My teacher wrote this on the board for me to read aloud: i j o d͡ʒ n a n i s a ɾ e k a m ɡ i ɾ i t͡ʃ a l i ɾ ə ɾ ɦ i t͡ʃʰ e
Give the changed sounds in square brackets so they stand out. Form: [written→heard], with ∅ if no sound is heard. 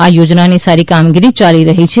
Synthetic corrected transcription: [i→a] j o d͡ʒ n a n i s a ɾ [e→i] k a m ɡ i ɾ i t͡ʃ a l i ɾ ə [ɾ→∅] ɦ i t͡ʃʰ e

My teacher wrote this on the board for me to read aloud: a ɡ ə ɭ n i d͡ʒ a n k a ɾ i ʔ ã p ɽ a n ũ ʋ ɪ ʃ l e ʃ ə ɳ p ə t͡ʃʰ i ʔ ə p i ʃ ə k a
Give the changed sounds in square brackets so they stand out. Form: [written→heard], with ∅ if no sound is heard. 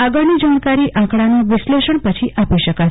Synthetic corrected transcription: a ɡ ə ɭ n i d͡ʒ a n k a ɾ i ʔ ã [p→k] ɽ a n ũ ʋ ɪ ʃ l e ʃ ə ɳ p ə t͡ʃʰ i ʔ [ə→a] p i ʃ ə k a

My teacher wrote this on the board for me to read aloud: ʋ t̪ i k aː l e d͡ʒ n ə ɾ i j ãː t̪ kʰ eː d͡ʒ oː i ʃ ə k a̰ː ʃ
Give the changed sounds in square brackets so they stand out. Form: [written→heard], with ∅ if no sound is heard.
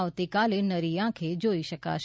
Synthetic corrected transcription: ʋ t̪ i k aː l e [d͡ʒ→∅] n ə ɾ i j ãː [t̪→∅] kʰ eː d͡ʒ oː i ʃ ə k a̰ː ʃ

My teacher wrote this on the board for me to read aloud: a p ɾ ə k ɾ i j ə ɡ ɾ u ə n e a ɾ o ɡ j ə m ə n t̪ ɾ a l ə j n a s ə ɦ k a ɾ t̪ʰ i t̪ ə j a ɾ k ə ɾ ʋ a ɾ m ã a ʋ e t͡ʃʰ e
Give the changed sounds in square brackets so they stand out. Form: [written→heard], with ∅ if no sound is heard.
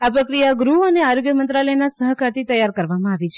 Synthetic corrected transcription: a p ɾ ə k ɾ i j [ə→a] ɡ ɾ u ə n e a ɾ o ɡ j ə m ə n t̪ ɾ a l ə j n a s ə ɦ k a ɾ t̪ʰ i t̪ ə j a ɾ k ə ɾ ʋ a [ɾ→∅] m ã a ʋ [e→i] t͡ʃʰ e

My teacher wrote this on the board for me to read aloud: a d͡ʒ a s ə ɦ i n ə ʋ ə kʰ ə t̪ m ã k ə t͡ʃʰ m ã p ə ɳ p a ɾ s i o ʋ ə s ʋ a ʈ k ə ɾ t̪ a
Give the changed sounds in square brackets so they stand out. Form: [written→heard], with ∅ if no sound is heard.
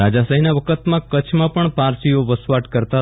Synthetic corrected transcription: a d͡ʒ a s ə ɦ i n [ə→a] ʋ ə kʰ ə t̪ m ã k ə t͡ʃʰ m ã p ə ɳ p a ɾ s i o ʋ ə s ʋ a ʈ k ə ɾ t̪ a

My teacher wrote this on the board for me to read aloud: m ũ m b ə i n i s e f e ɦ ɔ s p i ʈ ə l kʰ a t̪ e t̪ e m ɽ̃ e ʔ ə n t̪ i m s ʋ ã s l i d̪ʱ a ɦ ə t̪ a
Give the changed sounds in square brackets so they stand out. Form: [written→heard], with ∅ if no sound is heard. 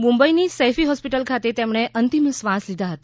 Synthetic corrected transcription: m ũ m b ə i n i s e f [e→i] ɦ ɔ s p i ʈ ə l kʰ a t̪ e t̪ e m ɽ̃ e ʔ ə n t̪ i m s ʋ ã s l i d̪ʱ a ɦ ə t̪ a

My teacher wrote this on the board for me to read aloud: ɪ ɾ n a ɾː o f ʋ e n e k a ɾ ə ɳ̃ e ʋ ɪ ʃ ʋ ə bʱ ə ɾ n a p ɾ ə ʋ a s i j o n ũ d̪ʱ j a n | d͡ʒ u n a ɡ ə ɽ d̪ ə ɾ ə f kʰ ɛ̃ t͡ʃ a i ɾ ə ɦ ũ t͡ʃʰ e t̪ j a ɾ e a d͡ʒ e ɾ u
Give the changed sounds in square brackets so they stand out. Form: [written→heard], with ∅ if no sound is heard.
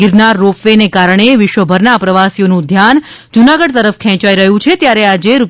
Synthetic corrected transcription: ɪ ɾ n a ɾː o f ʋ e n e k a ɾ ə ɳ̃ e ʋ ɪ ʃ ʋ ə bʱ ə ɾ n a p ɾ ə ʋ a s i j o n ũ d̪ʱ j a n | d͡ʒ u n a ɡ ə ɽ [d̪→t̪] ə ɾ ə f kʰ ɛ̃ t͡ʃ a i ɾ ə ɦ ũ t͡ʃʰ e t̪ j a ɾ e a d͡ʒ e ɾ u

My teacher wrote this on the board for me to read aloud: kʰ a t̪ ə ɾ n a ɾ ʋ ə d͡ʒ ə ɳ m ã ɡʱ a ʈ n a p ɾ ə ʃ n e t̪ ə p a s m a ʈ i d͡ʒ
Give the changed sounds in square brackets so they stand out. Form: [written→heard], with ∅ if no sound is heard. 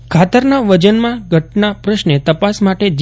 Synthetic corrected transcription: kʰ a t̪ ə ɾ n a [ɾ→∅] ʋ ə d͡ʒ ə [ɳ→n] m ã ɡʱ [a→ə] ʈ n a p ɾ ə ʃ n e t̪ ə p a s m a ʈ [i→e] d͡ʒ

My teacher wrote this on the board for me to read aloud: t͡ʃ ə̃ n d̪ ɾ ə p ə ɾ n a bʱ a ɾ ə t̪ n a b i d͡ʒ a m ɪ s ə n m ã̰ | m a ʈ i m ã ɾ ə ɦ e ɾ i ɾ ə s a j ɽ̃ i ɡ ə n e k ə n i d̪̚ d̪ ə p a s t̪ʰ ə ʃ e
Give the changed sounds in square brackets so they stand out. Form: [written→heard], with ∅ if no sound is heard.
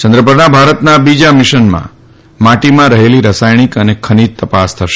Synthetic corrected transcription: t͡ʃ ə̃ n d̪ ɾ ə p ə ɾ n a bʱ a ɾ ə t̪ n a b i d͡ʒ a m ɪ [s→ʃ] ə n m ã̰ | m a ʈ i m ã ɾ ə ɦ e [ɾ→l] i ɾ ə s a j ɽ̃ i [ɡ→k] ə n e [k→kʰ] ə n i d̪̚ [d̪→t̪] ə p a s t̪ʰ ə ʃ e

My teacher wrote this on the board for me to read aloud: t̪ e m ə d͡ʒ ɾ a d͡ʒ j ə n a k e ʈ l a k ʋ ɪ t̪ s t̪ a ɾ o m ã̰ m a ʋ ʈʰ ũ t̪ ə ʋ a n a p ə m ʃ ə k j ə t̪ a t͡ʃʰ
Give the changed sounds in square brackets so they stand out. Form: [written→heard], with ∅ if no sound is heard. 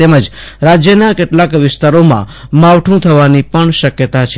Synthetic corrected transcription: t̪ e m ə d͡ʒ ɾ a d͡ʒ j ə n a k e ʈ l a k ʋ ɪ [t̪→∅] s t̪ a ɾ o m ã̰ m a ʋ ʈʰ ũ [t̪→t̪ʰ] ə ʋ a n [a→i] p ə [m→ɳ] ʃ ə k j ə t̪ a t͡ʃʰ

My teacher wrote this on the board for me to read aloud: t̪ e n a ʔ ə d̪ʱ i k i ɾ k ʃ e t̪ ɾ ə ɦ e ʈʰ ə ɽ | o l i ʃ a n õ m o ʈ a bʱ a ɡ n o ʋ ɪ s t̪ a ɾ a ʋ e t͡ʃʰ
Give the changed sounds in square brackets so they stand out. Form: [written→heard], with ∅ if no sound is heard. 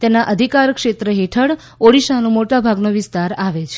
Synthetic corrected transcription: t̪ e n a ʔ ə d̪ʱ i k [i→a] ɾ k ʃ e t̪ ɾ ə ɦ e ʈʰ ə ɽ | o [l→ɽ] i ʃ a n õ m o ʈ a bʱ a ɡ n o ʋ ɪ s t̪ a ɾ a ʋ e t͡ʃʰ

